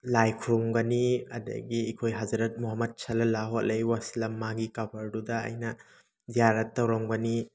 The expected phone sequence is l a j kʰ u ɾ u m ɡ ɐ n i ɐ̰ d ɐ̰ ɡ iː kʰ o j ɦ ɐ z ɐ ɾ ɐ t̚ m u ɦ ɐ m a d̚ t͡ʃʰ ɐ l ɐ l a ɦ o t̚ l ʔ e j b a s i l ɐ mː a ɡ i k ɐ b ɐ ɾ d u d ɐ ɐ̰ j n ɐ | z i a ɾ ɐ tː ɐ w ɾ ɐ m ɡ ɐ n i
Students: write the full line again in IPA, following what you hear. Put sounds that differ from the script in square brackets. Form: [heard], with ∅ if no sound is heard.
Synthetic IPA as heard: l a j kʰ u ɾ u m ɡ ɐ n i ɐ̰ d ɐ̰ ɡ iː kʰ o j ɦ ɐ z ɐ ɾ ɐ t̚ m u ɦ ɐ m [ɐ] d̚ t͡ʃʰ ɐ l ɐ l a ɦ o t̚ l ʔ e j [w] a s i l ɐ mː a ɡ i k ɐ b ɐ ɾ d u d ɐ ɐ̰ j n ɐ | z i a ɾ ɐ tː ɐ w ɾ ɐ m ɡ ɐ n i